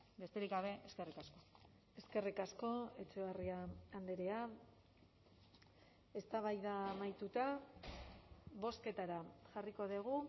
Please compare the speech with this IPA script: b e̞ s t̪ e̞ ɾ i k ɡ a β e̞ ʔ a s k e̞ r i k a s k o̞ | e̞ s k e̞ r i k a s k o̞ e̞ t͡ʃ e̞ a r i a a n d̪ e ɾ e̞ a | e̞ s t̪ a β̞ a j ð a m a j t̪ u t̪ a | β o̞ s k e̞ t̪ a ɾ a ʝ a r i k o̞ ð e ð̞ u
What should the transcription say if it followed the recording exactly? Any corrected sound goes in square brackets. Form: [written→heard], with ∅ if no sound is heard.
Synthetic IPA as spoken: b e̞ s t̪ e̞ ɾ i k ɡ a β e̞ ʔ [a→e] s k e̞ r i k a s k o̞ | e̞ s k e̞ r i k a s k o̞ e̞ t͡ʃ e̞ a r i a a n d̪ e ɾ e̞ a | e̞ s t̪ a β̞ a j ð a m a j t̪ u t̪ a | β o̞ s k e̞ t̪ a ɾ a ʝ a r i k o̞ ð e [ð̞→ɣ̞] u